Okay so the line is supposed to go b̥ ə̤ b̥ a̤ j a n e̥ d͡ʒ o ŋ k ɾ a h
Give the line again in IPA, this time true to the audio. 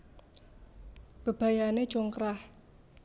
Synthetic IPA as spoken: b̥ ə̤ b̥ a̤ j a n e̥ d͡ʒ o ŋ k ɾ a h

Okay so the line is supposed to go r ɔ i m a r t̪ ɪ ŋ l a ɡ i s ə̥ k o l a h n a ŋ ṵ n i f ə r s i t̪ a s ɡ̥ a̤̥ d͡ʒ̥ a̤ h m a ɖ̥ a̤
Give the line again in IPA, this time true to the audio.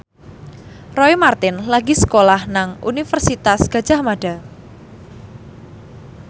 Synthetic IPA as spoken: r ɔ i m a r t̪ ɪ n l a ɡ i s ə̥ k o l a h n a ŋ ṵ n i f ə r s i t̪ a s ɡ̥ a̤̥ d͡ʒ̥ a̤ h m a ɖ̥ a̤

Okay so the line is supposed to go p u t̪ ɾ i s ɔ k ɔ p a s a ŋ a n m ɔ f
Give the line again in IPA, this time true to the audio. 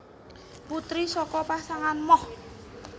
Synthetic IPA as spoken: p u t̪ ɾ i s ɔ k ɔ p a s a ŋ a n m ɔ h

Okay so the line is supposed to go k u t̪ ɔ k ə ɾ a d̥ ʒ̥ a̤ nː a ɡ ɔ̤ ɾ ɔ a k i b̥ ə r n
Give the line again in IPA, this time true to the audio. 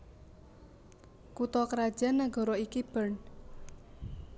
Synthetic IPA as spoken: k u t̪ ɔ k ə ɾ a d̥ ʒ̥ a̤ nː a ɡ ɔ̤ ɾ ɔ i k i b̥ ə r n

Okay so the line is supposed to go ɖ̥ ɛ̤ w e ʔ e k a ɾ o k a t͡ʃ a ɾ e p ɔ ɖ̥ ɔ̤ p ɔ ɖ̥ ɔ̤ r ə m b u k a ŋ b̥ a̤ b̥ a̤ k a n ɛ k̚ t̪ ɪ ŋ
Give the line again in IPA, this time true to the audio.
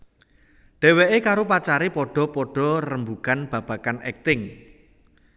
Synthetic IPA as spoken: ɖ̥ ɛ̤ w e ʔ e k a ɾ o p a t͡ʃ a ɾ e p ɔ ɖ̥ ɔ̤ p ɔ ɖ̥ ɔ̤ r ə m b u k a n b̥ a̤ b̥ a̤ k a n ɛ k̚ t̪ ɪ ŋ

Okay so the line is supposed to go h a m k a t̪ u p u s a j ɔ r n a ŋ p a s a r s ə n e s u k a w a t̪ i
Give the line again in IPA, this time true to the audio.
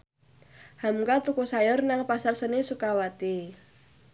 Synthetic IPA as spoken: h a m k a t̪ u k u s a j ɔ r n a ŋ p a s a r s ə n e s u k a w a t̪ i

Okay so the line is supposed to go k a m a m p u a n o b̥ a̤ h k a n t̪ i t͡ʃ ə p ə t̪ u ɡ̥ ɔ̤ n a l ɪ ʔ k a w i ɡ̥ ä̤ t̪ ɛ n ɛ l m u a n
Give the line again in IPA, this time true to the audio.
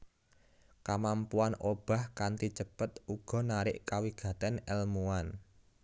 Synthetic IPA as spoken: k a m a m p u a n o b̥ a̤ h k a n t̪ i t͡ʃ ə p ə t̪ u ɡ̥ ɔ̤ n a ɾ ɪ ʔ k a w i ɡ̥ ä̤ t̪ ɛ n ɛ l m u a n

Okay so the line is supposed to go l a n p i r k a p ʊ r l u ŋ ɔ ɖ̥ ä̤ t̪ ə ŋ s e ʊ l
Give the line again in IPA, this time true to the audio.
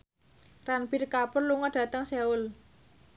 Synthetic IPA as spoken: r a n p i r k a p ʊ r l u ŋ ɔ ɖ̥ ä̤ t̪ ə ŋ s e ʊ l

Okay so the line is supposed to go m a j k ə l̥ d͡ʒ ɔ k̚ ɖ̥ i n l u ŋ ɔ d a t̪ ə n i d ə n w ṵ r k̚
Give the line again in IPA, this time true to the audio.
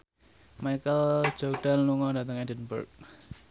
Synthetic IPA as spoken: m a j k ə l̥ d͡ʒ ɔ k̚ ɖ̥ a n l u ŋ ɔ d a t̪ ə ŋ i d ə n b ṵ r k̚

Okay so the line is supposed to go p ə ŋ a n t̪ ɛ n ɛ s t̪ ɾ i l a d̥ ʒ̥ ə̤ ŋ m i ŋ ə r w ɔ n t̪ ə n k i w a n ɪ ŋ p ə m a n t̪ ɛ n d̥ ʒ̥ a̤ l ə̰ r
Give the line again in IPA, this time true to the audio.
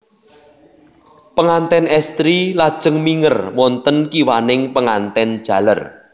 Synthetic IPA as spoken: p ə ŋ a n t̪ ɛ n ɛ s t̪ ɾ i l a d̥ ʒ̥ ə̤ ŋ m i ŋ ə r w ɔ n t̪ ə n k i w a n ɪ ŋ p ə ŋ a n t̪ ɛ n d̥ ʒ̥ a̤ l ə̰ r

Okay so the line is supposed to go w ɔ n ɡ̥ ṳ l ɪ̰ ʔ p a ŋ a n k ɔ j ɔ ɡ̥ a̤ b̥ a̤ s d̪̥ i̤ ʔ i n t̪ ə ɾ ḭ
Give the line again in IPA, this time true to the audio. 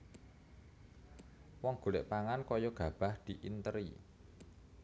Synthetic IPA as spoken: w ɔ ŋ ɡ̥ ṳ l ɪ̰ ʔ p a ŋ a n k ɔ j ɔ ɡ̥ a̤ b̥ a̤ h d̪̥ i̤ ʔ i n t̪ ə ɾ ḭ

